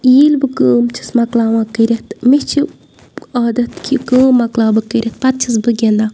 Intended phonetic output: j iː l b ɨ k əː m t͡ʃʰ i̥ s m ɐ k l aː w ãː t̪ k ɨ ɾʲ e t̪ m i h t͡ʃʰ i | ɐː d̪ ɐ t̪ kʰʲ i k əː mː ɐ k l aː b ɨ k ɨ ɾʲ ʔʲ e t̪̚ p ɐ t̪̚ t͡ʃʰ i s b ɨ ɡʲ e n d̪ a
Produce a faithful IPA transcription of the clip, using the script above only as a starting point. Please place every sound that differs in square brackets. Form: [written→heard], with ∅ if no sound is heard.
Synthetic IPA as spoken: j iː l b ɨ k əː m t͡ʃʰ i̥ s m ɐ k l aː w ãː [t̪→∅] k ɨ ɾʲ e t̪ m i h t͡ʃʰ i | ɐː d̪ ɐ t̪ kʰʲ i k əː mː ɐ k l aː b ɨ k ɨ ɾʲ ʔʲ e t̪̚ p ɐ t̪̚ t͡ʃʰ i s b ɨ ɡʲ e n d̪ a